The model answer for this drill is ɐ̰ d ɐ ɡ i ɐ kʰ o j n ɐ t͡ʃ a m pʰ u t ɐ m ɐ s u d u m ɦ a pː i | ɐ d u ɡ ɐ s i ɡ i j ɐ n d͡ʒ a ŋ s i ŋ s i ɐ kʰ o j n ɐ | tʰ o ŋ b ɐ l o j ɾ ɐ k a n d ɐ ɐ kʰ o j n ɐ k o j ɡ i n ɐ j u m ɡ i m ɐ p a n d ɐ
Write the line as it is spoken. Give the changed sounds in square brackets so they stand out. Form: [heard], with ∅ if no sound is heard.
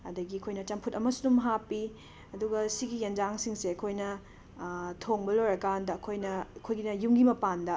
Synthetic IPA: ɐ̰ d ɐ ɡ i ɐ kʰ o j n ɐ t͡ʃ [ɐ] m pʰ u t ɐ m ɐ s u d u m ɦ a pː i | ɐ d u ɡ ɐ s i ɡ i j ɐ n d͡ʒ a ŋ s i ŋ s [e] ɐ kʰ o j n ɐ | tʰ o ŋ b ɐ l o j ɾ ɐ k a n d ɐ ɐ kʰ o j n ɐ [kʰ] o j ɡ i n ɐ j u m ɡ i m ɐ p a n d ɐ